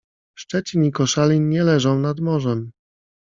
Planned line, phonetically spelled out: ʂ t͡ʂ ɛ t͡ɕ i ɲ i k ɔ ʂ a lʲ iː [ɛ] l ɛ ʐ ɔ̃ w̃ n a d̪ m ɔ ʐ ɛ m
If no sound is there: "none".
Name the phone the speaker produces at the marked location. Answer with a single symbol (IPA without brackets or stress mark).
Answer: ɛ